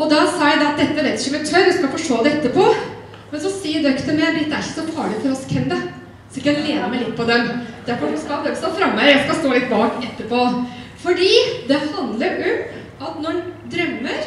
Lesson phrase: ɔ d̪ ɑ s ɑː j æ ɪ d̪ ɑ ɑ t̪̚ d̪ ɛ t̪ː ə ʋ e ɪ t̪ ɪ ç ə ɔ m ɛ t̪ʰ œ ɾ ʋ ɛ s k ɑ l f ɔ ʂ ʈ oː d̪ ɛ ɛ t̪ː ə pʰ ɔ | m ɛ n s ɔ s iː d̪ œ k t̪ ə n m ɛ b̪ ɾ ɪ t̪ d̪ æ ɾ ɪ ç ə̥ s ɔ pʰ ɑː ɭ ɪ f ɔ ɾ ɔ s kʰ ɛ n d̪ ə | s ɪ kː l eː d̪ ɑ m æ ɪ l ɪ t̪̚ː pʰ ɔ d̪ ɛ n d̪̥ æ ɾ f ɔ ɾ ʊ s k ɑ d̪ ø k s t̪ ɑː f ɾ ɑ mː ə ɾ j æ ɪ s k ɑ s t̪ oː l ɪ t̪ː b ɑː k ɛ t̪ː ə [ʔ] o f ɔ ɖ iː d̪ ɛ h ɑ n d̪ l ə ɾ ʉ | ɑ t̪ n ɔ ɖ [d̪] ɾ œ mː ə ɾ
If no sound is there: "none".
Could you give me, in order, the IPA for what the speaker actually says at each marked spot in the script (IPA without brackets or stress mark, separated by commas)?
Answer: p, d̪